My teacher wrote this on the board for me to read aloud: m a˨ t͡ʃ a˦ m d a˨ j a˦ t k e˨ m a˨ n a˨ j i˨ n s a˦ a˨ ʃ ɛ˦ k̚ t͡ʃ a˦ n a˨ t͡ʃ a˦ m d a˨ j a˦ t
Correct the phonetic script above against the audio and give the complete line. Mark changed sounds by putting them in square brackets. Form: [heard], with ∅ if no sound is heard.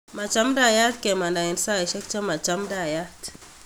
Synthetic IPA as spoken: m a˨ t͡ʃ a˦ m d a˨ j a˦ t k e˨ m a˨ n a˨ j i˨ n s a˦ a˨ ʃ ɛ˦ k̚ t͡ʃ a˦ [m] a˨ t͡ʃ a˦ m d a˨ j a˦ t